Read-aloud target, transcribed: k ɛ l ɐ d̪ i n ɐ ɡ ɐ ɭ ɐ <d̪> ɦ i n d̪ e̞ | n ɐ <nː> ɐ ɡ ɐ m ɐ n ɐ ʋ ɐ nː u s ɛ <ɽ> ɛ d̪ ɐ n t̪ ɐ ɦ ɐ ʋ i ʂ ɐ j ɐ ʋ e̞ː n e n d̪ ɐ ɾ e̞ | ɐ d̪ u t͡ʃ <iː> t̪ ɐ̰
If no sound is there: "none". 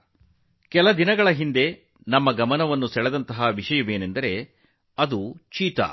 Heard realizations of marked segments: none, mː, ɭ, iː

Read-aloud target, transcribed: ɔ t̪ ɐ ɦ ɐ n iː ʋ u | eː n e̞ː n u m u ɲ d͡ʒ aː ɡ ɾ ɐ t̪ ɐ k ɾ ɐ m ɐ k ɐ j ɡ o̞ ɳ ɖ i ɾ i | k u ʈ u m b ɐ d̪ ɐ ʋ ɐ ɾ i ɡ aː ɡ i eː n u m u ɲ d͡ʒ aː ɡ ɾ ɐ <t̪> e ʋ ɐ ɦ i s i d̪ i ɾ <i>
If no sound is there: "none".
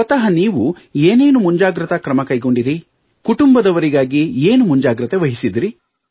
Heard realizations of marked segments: t̪, i

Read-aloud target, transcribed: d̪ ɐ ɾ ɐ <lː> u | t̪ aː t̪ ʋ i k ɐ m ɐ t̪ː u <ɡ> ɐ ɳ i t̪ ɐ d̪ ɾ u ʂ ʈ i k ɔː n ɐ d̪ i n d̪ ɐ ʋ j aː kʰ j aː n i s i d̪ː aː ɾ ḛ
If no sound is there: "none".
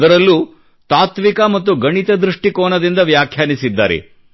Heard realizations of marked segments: lː, ɡ

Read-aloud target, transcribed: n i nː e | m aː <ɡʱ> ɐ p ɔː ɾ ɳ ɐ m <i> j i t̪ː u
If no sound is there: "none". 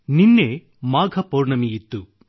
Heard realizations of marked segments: ɡʱ, i

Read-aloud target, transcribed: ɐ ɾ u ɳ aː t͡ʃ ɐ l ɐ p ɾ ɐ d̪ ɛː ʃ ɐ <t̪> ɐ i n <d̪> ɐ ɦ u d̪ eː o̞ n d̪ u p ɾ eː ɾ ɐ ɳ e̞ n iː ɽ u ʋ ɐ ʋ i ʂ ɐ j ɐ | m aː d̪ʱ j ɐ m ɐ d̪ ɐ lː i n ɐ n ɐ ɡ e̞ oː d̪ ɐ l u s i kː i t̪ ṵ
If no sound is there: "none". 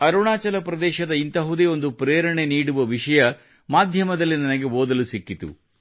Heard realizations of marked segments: d̪, t̪

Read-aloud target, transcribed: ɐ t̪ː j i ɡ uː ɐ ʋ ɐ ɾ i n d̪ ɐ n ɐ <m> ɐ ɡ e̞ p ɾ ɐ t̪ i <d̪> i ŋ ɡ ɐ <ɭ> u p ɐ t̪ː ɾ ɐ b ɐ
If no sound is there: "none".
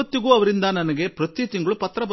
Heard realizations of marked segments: n, t̪, ɭ

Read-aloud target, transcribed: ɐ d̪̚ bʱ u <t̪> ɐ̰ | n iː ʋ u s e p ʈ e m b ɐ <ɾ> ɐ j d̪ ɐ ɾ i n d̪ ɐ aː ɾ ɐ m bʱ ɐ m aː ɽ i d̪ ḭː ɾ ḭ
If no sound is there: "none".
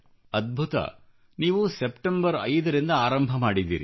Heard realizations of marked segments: t̪, ɾ

